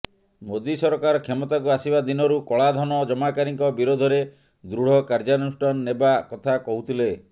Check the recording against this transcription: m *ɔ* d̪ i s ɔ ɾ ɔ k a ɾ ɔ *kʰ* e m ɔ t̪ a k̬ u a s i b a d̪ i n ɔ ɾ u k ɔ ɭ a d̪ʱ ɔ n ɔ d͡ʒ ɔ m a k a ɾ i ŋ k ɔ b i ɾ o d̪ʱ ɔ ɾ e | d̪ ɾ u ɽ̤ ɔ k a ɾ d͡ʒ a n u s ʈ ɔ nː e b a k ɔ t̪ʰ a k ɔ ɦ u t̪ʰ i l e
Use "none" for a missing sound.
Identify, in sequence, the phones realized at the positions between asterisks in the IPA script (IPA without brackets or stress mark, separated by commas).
o, kʰ